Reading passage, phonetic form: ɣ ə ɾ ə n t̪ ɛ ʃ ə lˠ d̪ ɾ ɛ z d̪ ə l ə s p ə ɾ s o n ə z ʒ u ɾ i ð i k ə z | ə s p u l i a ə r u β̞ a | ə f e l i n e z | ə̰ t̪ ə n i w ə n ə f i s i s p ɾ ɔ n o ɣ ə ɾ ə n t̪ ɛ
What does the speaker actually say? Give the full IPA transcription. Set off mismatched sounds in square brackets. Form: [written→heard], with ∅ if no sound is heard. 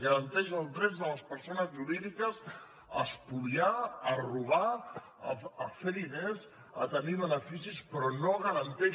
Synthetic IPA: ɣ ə ɾ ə n t̪ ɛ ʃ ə lˠ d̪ ɾ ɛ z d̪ ə l ə s p ə ɾ s o n ə z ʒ u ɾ i ð i k ə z | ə s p u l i a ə r u β̞ a | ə f e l i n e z | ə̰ t̪ ə n i [w→β] ə n ə f i s i s p ɾ ɔ n o ɣ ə ɾ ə n t̪ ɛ